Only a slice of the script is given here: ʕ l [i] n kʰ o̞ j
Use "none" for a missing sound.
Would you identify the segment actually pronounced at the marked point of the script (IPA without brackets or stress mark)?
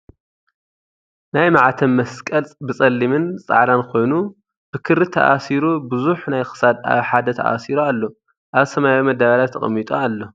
a